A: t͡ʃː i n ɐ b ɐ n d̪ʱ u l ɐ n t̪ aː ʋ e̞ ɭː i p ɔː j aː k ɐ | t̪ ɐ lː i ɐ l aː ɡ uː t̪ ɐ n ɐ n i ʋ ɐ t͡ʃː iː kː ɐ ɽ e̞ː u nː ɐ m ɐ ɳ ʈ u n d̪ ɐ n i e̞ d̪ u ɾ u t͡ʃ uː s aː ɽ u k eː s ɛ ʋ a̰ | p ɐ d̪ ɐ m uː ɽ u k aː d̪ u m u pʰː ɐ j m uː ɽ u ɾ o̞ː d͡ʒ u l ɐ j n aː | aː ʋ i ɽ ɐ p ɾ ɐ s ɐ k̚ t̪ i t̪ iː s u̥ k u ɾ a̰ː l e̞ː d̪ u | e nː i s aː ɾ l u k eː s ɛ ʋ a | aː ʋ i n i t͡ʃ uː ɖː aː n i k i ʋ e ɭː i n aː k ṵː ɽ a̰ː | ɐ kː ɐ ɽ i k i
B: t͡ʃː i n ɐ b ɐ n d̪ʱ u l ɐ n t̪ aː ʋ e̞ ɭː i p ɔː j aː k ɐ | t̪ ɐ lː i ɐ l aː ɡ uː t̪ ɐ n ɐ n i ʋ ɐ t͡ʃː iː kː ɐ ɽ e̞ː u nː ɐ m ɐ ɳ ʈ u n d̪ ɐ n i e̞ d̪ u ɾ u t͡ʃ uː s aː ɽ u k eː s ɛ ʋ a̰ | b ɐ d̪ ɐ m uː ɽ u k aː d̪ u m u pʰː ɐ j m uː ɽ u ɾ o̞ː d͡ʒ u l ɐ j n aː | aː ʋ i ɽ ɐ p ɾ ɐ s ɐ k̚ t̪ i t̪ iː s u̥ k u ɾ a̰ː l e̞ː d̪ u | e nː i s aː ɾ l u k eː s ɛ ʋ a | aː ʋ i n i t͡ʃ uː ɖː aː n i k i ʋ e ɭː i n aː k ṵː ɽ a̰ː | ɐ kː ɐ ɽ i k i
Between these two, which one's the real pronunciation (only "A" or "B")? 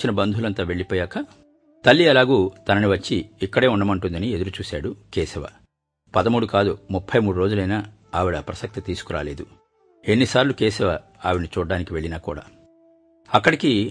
A